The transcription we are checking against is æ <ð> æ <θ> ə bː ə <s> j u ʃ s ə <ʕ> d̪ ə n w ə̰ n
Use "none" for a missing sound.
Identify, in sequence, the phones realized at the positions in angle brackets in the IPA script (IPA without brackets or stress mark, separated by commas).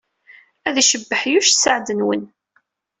ð, ʃ, ħ, ʕ